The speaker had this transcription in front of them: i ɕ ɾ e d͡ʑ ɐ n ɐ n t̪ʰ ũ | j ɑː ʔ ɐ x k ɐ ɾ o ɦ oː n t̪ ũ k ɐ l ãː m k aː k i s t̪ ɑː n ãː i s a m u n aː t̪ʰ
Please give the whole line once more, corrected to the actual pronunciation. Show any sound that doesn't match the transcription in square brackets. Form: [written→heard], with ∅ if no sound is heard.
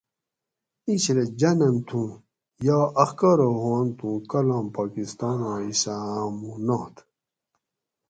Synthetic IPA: i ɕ ɾ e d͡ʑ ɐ n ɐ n t̪ʰ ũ | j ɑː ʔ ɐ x k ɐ ɾ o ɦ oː n t̪ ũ k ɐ l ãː m [k→p] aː k i s t̪ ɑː n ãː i s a m u n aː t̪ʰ